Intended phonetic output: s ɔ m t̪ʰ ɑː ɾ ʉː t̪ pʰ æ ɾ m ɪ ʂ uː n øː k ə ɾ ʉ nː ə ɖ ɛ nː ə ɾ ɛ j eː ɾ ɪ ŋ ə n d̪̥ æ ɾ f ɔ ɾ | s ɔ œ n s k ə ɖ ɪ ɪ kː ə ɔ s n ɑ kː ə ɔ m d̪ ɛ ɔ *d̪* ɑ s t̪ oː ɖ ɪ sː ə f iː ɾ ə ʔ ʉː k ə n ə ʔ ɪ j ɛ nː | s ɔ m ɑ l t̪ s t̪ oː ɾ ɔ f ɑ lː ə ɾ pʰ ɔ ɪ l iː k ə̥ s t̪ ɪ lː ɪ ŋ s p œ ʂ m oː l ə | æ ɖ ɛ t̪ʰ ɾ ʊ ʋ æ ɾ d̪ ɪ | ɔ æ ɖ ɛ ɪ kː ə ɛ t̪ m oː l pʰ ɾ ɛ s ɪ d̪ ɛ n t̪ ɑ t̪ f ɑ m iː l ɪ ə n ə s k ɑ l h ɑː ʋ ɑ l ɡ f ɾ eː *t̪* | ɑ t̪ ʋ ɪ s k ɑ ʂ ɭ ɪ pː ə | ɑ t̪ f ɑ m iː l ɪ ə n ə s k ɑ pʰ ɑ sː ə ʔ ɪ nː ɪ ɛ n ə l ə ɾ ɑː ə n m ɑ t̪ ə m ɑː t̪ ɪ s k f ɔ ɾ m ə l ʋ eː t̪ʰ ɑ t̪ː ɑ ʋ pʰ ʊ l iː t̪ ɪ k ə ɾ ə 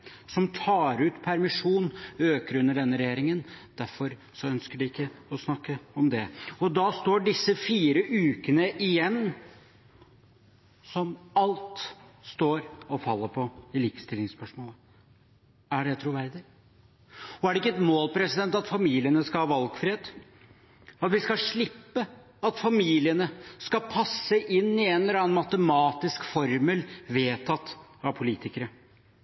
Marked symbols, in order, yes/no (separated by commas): yes, no